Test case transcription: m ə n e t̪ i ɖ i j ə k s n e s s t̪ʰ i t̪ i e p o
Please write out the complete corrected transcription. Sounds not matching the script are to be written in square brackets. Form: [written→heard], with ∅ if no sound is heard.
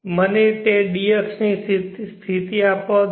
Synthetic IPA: m ə n e t̪ [i→e] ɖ i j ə k s n [e→i] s s t̪ʰ i t̪ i [e→a] p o

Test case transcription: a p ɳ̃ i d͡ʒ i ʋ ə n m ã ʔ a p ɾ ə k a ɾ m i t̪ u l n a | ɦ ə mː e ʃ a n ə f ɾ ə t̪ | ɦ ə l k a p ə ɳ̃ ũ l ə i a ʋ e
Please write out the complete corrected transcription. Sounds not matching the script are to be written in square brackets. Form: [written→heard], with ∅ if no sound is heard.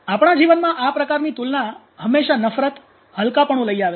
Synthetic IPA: a p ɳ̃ [i→a] d͡ʒ i ʋ ə n m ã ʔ a p ɾ ə k a ɾ [m→n] i t̪ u l n a | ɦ ə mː e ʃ a n ə f ɾ ə t̪ | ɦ ə l k a p ə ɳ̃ ũ l ə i a ʋ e

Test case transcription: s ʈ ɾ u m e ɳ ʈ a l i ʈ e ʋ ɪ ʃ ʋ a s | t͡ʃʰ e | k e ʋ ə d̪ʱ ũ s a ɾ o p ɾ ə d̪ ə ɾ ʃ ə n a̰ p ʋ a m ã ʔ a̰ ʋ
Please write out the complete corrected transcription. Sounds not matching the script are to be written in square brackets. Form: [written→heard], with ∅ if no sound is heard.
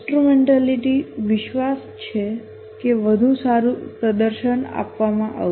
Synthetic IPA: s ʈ ɾ u m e ɳ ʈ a l i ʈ [e→i] ʋ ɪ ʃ ʋ a s | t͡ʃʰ e | k e ʋ ə d̪ʱ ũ s a ɾ [o→u] p ɾ ə d̪ ə ɾ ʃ ə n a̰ p ʋ a m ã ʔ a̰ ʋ

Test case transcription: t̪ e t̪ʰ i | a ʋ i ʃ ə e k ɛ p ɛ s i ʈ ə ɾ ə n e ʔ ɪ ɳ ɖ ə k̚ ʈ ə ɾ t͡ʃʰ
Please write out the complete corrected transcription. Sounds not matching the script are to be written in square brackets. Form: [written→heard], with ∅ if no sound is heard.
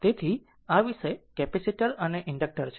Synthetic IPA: t̪ e t̪ʰ i | a ʋ i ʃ ə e k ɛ p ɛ s i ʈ ə ɾ ə n e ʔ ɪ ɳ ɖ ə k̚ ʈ ə ɾ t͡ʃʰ

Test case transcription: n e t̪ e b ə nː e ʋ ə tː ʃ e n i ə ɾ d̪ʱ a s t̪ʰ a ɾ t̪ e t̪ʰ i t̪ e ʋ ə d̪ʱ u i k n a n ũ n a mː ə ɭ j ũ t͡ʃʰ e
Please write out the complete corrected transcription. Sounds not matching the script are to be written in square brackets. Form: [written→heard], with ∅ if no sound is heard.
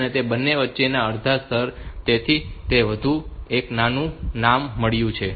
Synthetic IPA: n e t̪ e b ə nː e ʋ ə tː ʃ e n [i→a] ə ɾ d̪ʱ a s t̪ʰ [a→ə] ɾ t̪ e t̪ʰ i t̪ e ʋ ə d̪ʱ u [i→e] k n a n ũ n a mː ə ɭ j ũ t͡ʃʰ e

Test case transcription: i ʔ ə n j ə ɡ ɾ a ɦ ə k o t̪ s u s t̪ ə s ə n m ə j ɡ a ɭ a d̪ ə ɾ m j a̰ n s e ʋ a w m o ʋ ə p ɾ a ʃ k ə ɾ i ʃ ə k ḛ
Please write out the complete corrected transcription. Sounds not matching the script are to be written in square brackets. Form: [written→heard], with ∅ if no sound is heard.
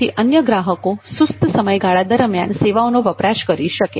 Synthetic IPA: i ʔ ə n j ə ɡ ɾ a ɦ ə k o [t̪→∅] s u s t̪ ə s ə [n→∅] m ə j ɡ a ɭ a d̪ ə ɾ m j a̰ n s e ʋ a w [m→n] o ʋ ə p ɾ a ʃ k ə ɾ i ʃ ə k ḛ

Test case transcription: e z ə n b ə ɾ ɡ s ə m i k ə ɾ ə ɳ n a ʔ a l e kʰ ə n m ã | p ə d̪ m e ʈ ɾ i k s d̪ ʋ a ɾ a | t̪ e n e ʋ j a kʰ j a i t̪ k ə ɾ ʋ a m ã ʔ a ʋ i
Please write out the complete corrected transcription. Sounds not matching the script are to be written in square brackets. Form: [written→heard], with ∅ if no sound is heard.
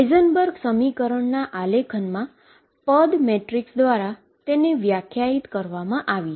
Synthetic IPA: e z ə n b ə ɾ ɡ s ə m i k ə ɾ ə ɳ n a ʔ a l e kʰ ə n m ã | p ə d̪ m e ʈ ɾ i k s d̪ ʋ a ɾ a | t̪ e n e ʋ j a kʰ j a i t̪ k ə ɾ ʋ a m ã ʔ a ʋ i

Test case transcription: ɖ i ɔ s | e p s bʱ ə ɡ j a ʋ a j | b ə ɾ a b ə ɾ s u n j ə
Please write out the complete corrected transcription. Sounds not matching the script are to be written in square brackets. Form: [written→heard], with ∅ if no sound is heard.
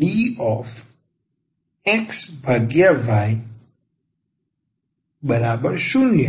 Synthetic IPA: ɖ i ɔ [s→f] | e [p→k] s bʱ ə ɡ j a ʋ a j | b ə ɾ a b ə ɾ [s→ʃ] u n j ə

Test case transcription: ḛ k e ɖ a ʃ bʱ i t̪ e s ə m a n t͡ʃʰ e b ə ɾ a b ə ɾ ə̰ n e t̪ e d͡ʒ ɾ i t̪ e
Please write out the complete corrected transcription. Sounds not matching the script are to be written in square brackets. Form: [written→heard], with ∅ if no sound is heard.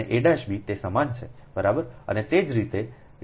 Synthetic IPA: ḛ [k→ʔ] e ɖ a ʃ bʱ i t̪ e s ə m a n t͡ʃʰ e b ə ɾ a b ə ɾ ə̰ n e t̪ e d͡ʒ ɾ i t̪ e

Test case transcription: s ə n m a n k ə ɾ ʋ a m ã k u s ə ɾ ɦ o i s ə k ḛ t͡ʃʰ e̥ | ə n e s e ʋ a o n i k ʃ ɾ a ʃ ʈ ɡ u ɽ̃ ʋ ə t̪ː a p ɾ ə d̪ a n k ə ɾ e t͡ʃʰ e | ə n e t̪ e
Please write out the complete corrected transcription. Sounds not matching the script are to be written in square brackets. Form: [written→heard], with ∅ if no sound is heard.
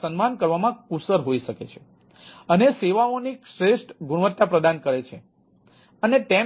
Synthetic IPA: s ə n m a n k ə ɾ ʋ a m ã k u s ə ɾ ɦ o i [s→ʃ] ə k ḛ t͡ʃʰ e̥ | ə n e s e ʋ a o n i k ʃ ɾ [a→e] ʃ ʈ ɡ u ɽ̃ ʋ ə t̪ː a p ɾ ə d̪ a n k ə ɾ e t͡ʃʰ e | ə n e t̪ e

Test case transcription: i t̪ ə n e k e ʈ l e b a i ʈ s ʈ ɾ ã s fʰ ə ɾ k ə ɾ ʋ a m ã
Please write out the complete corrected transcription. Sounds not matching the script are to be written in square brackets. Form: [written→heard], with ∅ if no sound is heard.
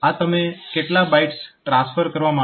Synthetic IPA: [i→a] t̪ ə [n→m] e k e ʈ l [e→a] b a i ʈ s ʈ ɾ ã s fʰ ə ɾ k ə ɾ ʋ a m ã

